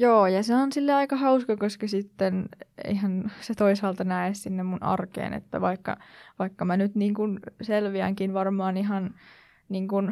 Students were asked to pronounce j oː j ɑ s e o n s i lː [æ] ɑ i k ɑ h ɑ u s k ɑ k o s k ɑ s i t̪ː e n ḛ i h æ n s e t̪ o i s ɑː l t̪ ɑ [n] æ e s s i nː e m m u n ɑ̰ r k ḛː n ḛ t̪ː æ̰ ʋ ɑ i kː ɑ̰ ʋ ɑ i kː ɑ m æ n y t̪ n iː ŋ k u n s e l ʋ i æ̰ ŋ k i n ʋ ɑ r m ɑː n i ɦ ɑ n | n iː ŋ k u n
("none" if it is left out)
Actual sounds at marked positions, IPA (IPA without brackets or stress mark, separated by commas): e, n